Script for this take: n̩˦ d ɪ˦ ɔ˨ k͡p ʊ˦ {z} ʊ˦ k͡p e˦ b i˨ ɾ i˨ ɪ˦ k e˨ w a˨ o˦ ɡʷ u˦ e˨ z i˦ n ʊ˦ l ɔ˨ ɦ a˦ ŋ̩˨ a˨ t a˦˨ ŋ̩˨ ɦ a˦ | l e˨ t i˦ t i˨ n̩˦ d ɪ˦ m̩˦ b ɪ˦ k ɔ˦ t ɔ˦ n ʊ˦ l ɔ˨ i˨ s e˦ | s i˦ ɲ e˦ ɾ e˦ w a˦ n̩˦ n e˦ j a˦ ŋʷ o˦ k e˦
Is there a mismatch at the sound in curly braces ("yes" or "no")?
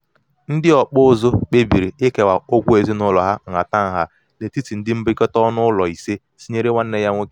no